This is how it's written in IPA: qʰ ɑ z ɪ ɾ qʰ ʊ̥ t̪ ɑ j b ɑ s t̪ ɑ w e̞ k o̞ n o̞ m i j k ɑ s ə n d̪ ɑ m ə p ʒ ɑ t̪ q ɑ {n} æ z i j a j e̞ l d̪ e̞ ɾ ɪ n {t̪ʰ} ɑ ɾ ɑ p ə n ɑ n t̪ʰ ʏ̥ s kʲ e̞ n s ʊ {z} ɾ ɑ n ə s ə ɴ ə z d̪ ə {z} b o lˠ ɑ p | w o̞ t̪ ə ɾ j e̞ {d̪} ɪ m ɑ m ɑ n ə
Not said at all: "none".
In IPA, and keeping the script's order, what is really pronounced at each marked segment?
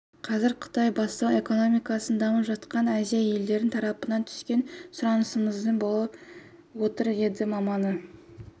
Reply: n, t̪ʰ, none, none, d̪

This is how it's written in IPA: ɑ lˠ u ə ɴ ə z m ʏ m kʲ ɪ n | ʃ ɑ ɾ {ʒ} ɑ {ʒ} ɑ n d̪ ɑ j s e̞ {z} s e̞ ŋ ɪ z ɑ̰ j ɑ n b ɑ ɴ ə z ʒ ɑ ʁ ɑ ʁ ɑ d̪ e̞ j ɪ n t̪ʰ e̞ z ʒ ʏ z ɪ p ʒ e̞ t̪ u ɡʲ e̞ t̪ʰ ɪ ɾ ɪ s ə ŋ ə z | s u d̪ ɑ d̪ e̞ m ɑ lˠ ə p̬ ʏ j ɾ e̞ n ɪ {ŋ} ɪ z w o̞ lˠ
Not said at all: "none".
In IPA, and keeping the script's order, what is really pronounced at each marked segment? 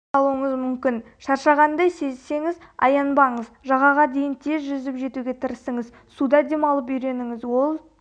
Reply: ʃ, ʁ, z, ŋ

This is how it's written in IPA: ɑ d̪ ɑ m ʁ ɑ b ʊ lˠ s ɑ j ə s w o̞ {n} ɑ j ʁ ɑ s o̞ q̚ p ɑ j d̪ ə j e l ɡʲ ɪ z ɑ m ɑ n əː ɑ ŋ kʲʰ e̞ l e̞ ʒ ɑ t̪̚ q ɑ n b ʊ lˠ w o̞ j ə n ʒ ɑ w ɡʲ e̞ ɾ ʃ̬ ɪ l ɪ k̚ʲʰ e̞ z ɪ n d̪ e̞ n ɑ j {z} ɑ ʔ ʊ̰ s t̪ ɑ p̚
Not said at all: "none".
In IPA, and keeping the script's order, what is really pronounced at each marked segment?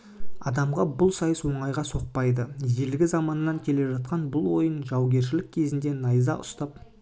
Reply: ɴ, z

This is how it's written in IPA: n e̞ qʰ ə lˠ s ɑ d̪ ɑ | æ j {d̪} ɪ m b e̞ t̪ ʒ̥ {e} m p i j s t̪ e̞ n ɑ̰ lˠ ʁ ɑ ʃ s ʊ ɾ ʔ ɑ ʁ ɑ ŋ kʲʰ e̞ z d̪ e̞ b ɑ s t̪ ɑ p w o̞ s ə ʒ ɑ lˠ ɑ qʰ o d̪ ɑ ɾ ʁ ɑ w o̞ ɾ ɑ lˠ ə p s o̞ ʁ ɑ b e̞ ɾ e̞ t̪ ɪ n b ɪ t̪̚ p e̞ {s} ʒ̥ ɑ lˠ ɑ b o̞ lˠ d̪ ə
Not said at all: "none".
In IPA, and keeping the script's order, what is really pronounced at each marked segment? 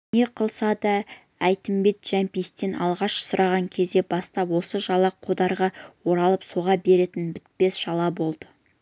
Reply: t̪, æ, s

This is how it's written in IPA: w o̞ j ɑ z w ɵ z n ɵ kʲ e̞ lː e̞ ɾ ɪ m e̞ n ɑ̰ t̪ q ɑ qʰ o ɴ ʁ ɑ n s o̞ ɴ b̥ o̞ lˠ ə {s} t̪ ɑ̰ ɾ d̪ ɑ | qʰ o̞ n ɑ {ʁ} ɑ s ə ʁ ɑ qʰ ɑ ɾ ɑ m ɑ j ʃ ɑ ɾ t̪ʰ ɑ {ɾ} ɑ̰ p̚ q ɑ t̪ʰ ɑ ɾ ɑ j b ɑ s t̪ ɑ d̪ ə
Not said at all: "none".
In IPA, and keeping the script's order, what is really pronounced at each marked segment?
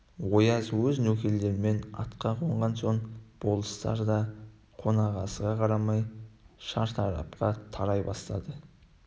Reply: s, ʁ, ɾ

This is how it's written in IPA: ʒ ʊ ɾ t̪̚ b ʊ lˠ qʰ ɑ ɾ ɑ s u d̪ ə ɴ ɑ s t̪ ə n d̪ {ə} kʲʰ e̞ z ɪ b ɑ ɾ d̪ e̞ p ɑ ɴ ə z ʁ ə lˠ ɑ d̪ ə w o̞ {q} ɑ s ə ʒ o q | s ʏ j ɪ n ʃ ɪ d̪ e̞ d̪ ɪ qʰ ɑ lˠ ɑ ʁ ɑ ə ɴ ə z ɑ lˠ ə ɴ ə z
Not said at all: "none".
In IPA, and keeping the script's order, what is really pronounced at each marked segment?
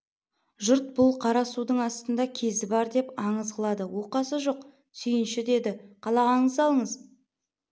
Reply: ɑ, q

